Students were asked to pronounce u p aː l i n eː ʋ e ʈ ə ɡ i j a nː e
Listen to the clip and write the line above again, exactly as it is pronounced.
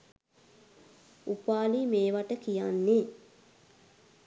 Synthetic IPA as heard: u p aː l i m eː ʋ a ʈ ə k i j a nː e